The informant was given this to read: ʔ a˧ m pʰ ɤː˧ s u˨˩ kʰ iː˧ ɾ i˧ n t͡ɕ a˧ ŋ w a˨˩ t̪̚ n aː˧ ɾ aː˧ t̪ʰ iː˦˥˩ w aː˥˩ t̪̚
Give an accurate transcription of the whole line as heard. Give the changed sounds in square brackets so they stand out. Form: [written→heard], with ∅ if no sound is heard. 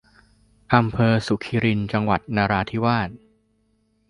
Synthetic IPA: ʔ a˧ m pʰ ɤː˧ s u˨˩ kʰ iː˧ ɾ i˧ n t͡ɕ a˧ ŋ w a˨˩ t̪̚ n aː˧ ɾ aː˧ t̪ʰ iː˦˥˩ w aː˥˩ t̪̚